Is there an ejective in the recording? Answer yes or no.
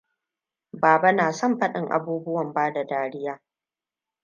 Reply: no